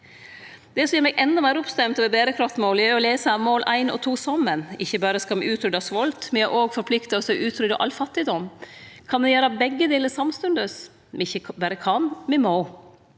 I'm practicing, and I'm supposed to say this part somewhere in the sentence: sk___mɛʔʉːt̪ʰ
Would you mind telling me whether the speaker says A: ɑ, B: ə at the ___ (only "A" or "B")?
A